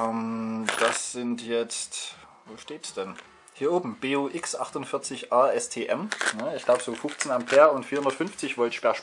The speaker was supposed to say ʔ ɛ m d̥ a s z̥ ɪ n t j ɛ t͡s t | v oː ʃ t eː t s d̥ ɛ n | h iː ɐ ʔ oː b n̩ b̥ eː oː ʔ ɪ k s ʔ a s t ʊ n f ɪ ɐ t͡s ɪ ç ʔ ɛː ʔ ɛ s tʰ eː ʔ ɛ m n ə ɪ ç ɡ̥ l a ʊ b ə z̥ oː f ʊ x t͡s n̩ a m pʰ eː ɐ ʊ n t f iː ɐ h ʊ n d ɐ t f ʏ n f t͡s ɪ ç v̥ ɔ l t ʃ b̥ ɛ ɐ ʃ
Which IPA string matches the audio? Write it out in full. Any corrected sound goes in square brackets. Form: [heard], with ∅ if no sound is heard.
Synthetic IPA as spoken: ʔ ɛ m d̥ a s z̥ ɪ n t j ɛ t͡s t | v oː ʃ t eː t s d̥ ɛ n | h iː ɐ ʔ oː b [m̩] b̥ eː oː ʔ ɪ k s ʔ a [χ] t ʊ n f ɪ ɐ t͡s ɪ ç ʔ [aː] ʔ ɛ s tʰ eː ʔ ɛ m n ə ɪ ç ɡ̥ l a ʊ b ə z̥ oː f ʊ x t͡s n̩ a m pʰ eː ɐ ʊ n t f iː ɐ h ʊ n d ɐ t f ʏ n f t͡s ɪ ç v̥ ɔ l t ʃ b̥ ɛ ɐ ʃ